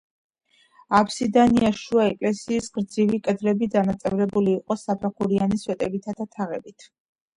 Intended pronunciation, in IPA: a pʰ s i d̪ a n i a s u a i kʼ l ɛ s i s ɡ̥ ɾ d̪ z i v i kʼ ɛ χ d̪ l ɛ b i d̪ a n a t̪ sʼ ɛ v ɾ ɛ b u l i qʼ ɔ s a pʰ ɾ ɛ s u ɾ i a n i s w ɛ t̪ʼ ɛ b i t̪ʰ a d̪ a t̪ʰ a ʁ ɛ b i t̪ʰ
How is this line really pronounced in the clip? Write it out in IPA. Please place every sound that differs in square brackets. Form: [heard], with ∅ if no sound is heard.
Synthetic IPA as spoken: a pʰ s i d̪ a n i a [ʃ] u a [ɛ] kʼ l ɛ s [iː] s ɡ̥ ɾ d̪ z i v i kʼ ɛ [∅] d̪ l ɛ b i d̪ a n a t̪ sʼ ɛ v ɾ ɛ b u l [iː] qʼ ɔ s a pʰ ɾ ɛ [χ] u ɾ i a n i s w ɛ t̪ʼ ɛ b i t̪ʰ a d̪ a t̪ʰ a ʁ ɛ b i t̪ʰ